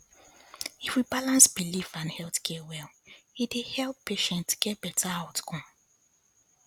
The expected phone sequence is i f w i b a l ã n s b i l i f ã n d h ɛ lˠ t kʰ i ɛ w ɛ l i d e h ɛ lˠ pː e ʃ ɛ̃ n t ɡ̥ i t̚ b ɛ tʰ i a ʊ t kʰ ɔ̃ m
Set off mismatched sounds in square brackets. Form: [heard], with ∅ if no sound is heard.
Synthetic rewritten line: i f w i b a l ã n s b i l i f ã n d h ɛ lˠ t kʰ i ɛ w ɛ l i d e h ɛ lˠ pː e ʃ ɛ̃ n t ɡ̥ [ɛ] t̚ b ɛ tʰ [a] a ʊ t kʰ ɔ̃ m